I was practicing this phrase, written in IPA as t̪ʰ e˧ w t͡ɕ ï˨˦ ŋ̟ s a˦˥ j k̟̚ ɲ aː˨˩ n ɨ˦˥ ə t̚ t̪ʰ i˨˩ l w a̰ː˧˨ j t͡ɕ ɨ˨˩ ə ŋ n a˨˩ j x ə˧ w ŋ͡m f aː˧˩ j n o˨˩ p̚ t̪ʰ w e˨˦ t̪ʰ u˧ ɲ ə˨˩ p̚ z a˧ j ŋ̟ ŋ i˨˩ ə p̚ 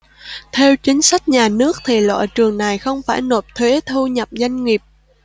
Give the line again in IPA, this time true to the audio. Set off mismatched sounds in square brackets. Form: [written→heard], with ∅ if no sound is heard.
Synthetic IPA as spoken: t̪ʰ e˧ w t͡ɕ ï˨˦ ŋ̟ s a˦˥ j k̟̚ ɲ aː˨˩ n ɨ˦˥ ə [t̚→k̚] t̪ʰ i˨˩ l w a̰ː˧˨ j t͡ɕ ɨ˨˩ ə ŋ n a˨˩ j x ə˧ w ŋ͡m f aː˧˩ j n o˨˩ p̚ t̪ʰ w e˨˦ t̪ʰ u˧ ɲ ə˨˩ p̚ z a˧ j ŋ̟ ŋ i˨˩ ə p̚